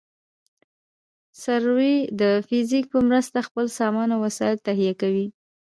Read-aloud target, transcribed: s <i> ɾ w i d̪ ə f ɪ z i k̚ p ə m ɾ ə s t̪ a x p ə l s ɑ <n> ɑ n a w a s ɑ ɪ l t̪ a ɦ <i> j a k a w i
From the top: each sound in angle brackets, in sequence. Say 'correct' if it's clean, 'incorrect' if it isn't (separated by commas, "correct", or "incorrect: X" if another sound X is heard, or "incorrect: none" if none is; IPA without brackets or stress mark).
incorrect: a, incorrect: m, correct